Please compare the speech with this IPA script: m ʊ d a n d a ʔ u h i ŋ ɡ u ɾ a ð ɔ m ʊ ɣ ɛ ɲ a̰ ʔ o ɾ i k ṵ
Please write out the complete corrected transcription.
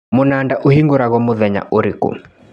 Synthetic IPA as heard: m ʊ n a n d a ʔ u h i ŋ ɡ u ɾ a ɣ ɔ m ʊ ð ɛ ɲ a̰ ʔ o ɾ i k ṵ